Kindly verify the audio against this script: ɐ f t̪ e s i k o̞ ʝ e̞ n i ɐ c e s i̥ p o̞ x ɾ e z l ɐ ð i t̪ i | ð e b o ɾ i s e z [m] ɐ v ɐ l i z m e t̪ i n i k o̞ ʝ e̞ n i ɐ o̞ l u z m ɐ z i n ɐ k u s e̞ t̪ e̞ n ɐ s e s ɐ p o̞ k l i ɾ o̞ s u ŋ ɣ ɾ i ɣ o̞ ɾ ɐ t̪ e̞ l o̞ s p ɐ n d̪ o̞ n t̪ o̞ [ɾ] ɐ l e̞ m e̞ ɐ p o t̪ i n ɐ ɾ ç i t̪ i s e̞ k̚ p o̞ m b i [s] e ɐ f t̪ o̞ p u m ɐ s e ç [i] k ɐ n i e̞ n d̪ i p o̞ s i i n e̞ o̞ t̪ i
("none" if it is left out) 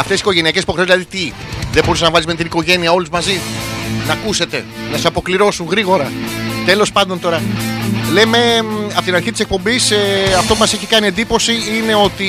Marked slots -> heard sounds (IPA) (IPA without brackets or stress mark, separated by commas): n, ɾ, s, i